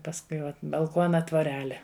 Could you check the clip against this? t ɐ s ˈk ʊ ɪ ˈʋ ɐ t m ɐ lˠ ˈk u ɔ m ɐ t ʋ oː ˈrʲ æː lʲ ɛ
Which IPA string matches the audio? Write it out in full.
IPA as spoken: p ɐ s ˈk ʊ ɪ ˈʋ ɐ t b ɐ lˠ ˈk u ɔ n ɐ t ʋ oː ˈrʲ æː lʲ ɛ